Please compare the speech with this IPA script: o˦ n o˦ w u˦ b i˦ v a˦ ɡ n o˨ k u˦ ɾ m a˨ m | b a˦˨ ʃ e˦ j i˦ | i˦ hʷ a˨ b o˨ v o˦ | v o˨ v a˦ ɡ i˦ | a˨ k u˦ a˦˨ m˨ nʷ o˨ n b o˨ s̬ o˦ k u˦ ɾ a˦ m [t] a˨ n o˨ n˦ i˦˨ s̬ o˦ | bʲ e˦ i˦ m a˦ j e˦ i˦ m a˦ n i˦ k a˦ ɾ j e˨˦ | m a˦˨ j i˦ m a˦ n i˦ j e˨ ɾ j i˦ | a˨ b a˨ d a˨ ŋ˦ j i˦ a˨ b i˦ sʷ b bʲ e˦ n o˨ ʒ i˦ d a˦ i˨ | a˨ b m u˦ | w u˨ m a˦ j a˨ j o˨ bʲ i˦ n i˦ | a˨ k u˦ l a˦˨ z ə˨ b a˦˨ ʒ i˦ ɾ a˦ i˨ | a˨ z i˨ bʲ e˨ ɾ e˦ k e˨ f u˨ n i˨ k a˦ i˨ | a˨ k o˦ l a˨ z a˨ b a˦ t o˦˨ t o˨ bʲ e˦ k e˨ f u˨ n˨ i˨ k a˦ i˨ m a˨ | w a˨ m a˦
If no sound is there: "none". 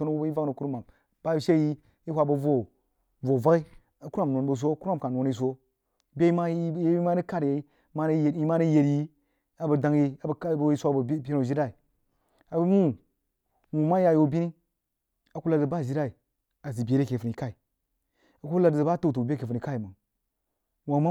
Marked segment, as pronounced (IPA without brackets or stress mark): k